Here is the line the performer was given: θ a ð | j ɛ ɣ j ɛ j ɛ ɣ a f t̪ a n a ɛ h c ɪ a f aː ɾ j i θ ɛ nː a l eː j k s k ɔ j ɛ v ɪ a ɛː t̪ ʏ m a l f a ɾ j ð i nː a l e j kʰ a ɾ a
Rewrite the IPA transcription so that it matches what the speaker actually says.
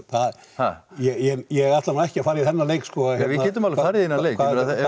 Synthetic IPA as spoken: θ a ð | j ɛ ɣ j ɛ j ɛ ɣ a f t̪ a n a ɛ h c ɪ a f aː ɾ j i θ ɛ nː a l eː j k s k ɔ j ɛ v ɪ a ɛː t̪ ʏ m a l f a ɾ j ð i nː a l e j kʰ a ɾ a